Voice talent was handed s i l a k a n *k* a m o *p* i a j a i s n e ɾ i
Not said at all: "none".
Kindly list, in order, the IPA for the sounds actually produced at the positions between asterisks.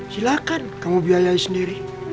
k, b

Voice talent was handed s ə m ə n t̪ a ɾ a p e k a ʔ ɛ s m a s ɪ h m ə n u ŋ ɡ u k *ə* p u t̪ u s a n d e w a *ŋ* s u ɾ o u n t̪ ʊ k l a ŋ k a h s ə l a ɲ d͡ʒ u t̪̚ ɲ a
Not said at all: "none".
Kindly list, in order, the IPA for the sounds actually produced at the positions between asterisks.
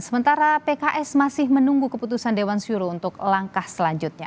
ə, n

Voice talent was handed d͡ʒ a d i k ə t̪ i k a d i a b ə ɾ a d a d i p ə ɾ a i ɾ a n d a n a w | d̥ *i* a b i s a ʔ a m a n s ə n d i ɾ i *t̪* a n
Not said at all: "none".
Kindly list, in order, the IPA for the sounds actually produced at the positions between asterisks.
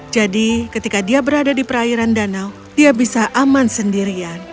i, none

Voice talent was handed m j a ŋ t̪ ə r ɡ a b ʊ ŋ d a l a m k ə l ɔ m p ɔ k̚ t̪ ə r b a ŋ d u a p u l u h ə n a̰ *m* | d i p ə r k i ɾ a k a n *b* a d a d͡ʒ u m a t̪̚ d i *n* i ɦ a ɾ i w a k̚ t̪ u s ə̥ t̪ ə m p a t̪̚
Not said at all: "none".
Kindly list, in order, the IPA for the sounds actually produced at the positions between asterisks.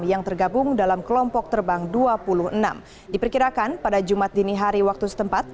m, p, n

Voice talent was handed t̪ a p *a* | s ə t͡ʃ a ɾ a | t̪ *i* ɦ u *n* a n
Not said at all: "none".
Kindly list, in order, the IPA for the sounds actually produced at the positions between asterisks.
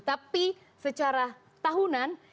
i, a, n

